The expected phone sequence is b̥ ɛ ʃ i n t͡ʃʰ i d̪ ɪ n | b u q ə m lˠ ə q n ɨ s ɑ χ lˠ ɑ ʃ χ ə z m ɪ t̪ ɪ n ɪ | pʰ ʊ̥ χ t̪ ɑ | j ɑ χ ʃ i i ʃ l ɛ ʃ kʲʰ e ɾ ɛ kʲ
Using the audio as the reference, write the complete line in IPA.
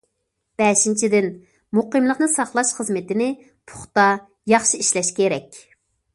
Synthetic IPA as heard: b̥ ɛ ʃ i n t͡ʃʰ i d̪ ɪ n | m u q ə m lˠ ə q n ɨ s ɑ χ lˠ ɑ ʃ χ ə z m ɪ t̪ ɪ n ɪ | pʰ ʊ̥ χ t̪ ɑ | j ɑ χ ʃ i i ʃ l ɛ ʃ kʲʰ e ɾ ɛ kʲ